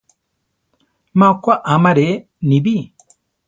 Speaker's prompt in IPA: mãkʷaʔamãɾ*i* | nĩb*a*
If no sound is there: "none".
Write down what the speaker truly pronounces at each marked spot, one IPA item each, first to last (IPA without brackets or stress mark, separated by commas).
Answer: e, i